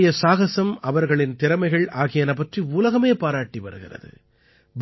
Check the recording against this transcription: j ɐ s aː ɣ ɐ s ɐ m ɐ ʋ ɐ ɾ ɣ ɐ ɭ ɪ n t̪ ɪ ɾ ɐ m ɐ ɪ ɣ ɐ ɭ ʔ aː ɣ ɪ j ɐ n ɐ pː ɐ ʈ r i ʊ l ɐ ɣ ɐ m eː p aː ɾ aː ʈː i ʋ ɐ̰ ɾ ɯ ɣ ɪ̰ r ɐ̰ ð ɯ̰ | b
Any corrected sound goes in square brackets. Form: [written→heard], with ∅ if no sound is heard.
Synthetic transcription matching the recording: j ɐ s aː ɣ ɐ s ɐ m ɐ ʋ ɐ ɾ ɣ ɐ ɭ ɪ n t̪ ɪ ɾ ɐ m ɐ ɪ ɣ ɐ ɭ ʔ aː ɣ ɪ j ɐ n ɐ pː ɐ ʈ r i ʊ l ɐ ɣ ɐ m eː p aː ɾ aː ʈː i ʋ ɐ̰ ɾ ɯ ɣ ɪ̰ r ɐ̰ ð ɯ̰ | b